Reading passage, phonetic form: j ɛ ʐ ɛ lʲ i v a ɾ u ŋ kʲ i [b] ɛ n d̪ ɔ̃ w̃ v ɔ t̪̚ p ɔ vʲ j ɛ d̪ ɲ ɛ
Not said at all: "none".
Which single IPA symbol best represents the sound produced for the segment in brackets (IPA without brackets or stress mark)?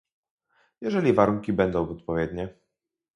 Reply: b